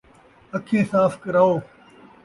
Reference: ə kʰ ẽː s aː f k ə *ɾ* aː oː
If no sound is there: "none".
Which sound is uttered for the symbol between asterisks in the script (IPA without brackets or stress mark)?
ɾ